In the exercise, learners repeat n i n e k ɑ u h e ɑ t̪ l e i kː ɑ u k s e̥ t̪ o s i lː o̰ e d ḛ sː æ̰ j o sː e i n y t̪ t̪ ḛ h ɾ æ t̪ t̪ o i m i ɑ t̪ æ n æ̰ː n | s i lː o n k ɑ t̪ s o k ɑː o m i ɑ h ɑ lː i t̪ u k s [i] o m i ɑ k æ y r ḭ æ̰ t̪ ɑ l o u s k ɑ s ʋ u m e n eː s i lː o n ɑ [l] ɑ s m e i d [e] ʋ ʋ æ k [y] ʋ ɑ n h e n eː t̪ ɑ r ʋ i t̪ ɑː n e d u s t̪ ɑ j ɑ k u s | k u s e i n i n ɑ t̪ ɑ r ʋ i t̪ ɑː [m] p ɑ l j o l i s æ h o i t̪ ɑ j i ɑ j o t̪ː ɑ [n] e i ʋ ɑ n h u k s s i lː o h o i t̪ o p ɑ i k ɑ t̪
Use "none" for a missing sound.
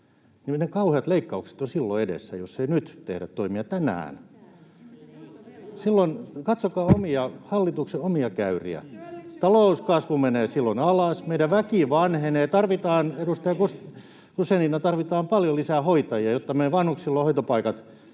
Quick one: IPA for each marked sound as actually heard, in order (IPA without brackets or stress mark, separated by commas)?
e, l, æ, i, m, m